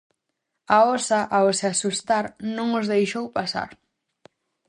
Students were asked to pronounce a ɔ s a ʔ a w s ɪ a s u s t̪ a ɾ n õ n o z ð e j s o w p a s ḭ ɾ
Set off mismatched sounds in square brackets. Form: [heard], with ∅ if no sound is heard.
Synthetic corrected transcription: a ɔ s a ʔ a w s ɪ a s u s t̪ a ɾ n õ [ŋ] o z ð e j [ʃ] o w p a s [a̰] ɾ